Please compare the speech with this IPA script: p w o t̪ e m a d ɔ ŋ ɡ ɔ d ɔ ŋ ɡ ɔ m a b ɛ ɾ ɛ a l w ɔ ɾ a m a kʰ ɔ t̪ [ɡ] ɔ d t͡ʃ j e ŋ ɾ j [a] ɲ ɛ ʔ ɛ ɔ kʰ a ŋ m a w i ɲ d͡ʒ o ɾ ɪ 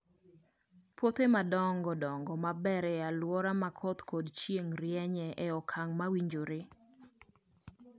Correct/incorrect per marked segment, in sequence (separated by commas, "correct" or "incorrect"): incorrect, incorrect